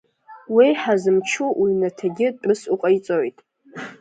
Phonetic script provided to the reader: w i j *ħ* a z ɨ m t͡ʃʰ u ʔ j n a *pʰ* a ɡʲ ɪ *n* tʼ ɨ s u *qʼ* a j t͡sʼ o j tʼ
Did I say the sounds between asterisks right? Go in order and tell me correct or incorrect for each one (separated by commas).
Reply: correct, incorrect, incorrect, correct